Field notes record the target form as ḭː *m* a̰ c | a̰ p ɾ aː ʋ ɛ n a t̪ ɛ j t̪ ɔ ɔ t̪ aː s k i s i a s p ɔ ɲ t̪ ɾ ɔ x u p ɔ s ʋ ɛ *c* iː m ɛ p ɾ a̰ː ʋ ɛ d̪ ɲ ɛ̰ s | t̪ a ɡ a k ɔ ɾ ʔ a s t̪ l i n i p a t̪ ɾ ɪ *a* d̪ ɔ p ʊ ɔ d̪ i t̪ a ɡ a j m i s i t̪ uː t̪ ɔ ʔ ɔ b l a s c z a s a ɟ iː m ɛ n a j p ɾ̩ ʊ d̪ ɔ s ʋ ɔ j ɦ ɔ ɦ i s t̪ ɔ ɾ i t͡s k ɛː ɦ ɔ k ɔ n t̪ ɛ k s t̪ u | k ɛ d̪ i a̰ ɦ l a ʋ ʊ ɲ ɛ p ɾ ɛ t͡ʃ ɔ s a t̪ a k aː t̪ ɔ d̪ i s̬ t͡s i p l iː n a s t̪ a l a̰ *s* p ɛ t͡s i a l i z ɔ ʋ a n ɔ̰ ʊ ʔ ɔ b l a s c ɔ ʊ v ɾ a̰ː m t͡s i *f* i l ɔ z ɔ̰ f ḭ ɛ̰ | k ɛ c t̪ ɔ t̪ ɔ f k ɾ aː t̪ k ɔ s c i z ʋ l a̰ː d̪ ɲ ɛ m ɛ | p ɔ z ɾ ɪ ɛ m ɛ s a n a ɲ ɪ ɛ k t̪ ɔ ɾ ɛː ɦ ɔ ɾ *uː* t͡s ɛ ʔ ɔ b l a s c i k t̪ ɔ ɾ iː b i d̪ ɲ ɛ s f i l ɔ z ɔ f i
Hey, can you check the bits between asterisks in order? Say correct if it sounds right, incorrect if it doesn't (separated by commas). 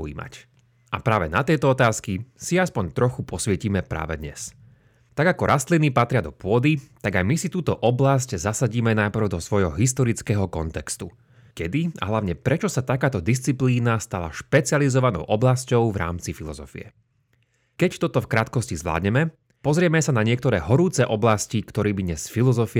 correct, correct, correct, incorrect, correct, correct